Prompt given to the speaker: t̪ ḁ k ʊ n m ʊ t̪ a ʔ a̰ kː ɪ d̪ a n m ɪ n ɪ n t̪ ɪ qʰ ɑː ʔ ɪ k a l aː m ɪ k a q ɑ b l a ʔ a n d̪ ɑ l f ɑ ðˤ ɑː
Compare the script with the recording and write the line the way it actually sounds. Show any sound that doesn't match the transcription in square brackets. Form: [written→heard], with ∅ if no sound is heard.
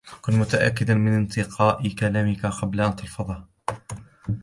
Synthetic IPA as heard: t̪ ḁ k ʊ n m ʊ t̪ a ʔ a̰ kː ɪ d̪ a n m ɪ n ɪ n t̪ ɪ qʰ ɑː ʔ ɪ k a l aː m ɪ k a q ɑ b l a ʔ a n [d̪→t̪] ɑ l f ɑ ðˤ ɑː